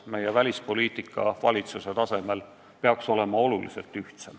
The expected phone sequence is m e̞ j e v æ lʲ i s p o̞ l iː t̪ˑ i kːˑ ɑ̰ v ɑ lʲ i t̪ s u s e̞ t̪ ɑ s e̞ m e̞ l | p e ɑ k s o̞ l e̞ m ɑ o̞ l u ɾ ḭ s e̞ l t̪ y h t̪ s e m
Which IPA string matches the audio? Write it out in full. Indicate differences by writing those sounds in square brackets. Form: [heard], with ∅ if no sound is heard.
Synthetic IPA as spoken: m e̞ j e v æ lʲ i s p o̞ l iː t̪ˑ i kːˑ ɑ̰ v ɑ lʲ i t̪ s u s e̞ t̪ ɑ s e̞ m e̞ l | p e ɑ k s o̞ l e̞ m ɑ o̞ l u [l] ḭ s e̞ l t̪ y h t̪ s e m